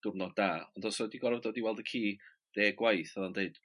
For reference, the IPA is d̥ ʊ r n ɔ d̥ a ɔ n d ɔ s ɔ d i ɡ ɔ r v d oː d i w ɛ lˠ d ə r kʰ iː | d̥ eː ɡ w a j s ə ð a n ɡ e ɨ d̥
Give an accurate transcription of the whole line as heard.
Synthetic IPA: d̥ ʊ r n ɔ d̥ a ɔ n d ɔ s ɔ d i ɡ ɔ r v d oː d i w ɛ lˠ d ə kʰ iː | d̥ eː ɡ w a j θ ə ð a n d e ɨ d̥